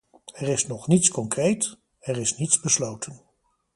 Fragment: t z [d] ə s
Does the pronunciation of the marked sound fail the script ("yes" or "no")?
yes